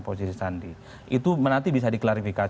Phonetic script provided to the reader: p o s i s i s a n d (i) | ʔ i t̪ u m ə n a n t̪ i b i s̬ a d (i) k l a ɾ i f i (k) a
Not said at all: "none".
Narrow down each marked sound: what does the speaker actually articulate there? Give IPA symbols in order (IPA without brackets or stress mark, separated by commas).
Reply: i, i, k